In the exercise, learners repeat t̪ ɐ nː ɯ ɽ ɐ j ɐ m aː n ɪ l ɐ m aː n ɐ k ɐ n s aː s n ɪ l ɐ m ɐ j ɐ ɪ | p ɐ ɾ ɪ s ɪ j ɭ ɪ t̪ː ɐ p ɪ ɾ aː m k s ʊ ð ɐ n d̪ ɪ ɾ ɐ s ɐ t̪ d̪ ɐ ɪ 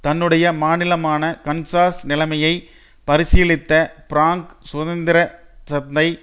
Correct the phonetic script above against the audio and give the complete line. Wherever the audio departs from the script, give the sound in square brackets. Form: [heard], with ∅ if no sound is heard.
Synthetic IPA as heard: t̪ ɐ nː ɯ ɽ ɐ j ɐ m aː n ɪ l ɐ m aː n ɐ k ɐ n s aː s n ɪ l ɐ m ɐ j ɐ ɪ | p ɐ ɾ ɪ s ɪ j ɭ ɪ t̪ː ɐ p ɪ ɾ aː [ŋ] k s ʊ ð ɐ n d̪ ɪ ɾ ɐ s ɐ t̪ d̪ ɐ ɪ